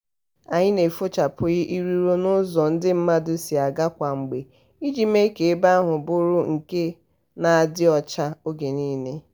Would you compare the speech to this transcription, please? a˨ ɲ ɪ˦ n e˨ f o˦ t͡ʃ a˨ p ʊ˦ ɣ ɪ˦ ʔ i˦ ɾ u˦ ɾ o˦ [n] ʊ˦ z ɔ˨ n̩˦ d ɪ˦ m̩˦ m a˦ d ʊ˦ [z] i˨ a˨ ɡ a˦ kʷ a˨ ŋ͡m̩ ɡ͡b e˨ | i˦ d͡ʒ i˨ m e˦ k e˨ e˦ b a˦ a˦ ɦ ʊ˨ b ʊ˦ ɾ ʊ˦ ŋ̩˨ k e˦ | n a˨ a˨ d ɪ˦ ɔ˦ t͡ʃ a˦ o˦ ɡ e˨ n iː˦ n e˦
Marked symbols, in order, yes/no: yes, no

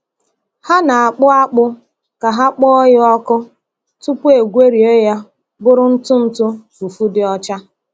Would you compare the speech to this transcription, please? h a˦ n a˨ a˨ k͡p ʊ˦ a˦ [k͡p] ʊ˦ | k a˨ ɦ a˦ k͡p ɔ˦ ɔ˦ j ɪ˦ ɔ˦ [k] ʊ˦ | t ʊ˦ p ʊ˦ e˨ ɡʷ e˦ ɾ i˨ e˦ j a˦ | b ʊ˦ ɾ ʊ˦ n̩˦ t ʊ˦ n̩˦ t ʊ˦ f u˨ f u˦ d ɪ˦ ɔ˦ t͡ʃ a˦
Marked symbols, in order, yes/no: yes, yes

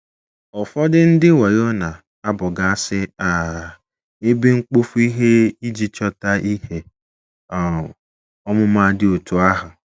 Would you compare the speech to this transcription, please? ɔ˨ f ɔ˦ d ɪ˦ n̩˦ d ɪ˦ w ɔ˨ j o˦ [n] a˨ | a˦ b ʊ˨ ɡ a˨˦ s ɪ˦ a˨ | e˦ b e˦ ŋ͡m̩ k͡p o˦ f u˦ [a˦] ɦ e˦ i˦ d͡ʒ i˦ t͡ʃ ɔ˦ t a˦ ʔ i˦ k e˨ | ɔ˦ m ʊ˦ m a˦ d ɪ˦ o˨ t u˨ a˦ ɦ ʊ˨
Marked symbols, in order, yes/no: yes, no

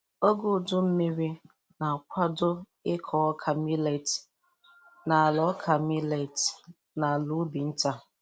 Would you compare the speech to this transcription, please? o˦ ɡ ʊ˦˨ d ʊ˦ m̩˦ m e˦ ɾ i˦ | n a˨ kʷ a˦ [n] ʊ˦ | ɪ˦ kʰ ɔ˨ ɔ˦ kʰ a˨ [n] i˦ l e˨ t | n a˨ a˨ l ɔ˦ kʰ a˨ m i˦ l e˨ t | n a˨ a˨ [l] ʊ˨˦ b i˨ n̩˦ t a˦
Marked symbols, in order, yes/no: no, no, yes

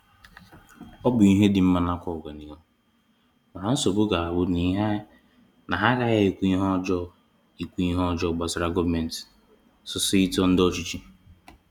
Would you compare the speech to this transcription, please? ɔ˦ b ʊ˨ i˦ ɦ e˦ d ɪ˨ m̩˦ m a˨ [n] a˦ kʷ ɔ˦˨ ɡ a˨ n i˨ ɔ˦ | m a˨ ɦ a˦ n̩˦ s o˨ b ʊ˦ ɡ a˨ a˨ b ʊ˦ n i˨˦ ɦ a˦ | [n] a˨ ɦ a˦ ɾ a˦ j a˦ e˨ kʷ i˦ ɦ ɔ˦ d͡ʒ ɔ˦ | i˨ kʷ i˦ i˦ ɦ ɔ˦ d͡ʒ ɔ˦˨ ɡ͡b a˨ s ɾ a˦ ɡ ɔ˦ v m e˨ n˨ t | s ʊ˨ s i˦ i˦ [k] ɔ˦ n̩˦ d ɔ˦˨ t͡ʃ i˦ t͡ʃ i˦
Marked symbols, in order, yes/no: yes, yes, no

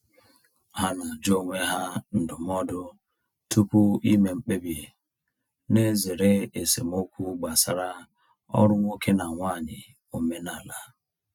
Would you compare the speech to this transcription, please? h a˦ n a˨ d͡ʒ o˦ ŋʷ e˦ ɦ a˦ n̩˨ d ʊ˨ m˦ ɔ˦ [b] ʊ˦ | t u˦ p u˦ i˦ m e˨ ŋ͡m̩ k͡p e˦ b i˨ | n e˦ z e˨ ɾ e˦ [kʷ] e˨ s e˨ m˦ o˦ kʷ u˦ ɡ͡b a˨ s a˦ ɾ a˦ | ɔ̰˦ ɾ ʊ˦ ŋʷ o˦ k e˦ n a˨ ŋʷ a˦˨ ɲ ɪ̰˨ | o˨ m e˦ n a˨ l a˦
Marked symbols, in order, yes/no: no, no

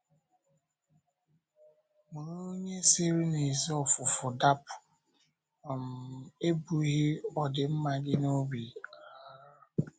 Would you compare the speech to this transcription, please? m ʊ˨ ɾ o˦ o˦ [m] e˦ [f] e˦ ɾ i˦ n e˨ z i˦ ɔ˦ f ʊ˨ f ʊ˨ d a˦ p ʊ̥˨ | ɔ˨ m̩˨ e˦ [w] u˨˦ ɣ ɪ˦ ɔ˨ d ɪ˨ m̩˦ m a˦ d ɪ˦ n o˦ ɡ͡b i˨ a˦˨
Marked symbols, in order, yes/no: no, no, no

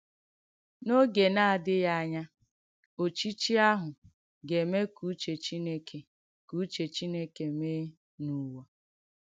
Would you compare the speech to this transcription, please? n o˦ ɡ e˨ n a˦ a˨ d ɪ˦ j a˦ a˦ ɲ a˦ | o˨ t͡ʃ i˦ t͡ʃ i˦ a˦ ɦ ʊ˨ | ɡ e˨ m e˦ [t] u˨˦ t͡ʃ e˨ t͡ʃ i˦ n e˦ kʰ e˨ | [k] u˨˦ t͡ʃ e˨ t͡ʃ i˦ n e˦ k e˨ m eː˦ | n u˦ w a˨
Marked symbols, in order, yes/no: no, yes

